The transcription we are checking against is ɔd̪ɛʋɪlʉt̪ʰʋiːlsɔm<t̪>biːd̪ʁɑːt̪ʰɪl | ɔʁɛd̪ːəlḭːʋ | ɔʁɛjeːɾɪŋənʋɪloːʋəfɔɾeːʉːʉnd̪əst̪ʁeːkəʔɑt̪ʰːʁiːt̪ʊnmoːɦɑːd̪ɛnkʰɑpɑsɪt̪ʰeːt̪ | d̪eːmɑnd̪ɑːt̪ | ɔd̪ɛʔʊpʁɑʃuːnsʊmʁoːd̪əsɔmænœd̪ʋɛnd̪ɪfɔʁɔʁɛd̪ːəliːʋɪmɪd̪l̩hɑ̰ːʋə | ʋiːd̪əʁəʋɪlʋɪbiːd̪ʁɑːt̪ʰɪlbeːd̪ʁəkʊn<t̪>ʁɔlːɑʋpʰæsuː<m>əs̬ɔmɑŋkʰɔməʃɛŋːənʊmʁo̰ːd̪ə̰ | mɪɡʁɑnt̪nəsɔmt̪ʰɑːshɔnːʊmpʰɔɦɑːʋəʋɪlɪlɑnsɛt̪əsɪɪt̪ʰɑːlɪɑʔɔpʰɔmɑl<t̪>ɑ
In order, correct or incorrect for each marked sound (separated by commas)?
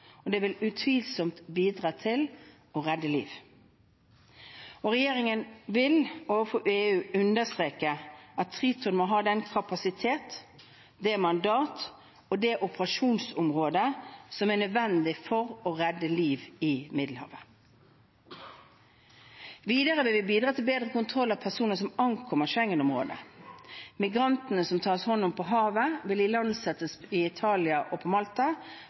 correct, incorrect, incorrect, correct